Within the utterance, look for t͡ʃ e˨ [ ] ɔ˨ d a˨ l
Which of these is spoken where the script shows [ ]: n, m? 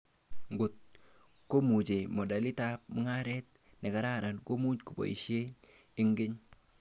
m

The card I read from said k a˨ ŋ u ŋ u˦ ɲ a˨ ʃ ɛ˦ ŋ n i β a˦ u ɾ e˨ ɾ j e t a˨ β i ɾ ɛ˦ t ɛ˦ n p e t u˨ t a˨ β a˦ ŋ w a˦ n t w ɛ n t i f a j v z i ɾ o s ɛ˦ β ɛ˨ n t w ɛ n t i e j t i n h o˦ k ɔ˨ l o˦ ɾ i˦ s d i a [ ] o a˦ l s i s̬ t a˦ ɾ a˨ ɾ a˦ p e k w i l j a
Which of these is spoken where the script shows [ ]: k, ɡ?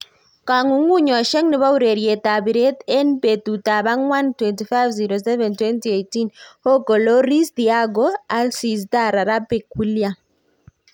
ɡ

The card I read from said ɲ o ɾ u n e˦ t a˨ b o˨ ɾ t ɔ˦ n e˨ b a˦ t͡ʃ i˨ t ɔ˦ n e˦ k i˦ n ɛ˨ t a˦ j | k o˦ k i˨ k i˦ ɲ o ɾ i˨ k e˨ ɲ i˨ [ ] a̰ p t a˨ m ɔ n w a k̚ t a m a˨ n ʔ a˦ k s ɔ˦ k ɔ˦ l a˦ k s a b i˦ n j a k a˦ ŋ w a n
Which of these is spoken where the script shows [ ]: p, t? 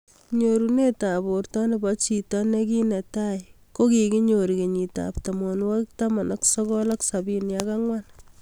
t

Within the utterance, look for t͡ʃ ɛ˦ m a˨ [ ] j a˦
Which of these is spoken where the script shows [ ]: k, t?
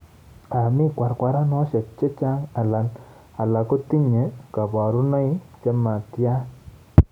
t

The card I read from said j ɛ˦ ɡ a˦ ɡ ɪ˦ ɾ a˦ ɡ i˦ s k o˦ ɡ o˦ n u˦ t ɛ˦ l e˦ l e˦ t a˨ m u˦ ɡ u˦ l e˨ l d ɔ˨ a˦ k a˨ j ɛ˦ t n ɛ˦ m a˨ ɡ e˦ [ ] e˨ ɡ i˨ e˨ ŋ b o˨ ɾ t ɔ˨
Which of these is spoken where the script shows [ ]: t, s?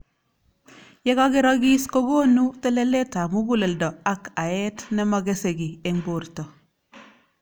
s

